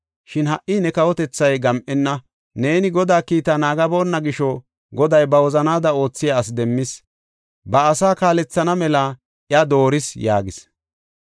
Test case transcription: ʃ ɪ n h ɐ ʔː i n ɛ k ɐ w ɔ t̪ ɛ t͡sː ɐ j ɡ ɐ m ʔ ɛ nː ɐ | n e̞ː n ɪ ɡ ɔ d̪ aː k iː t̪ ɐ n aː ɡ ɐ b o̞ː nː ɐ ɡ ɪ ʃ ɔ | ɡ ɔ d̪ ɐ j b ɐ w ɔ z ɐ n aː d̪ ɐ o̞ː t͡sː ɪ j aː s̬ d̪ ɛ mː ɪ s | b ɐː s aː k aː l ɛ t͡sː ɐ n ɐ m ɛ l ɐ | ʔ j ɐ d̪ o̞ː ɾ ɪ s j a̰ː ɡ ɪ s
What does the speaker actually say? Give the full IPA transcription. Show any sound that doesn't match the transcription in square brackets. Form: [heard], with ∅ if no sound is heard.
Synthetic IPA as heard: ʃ ɪ n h ɐ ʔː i n ɛ k ɐ w ɔ t̪ ɛ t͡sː ɐ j ɡ ɐ m ʔ ɛ nː ɐ | n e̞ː n ɪ ɡ ɔ d̪ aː k iː t̪ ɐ n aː ɡ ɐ b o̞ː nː ɐ ɡ ɪ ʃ ɔ | ɡ ɔ d̪ ɐ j b ɐ w ɔ z ɐ n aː d̪ ɐ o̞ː t͡sː ɪ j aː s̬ d̪ ɛ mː ɪ s | b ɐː s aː k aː l ɛ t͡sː ɐ n ɐ m ɛ l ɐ | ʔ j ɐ d̪ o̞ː ɾ ɪ s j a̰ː ɡ ɪ s